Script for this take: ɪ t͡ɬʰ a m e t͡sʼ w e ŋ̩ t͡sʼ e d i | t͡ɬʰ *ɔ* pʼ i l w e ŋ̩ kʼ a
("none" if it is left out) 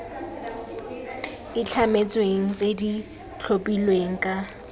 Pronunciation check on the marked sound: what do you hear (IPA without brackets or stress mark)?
o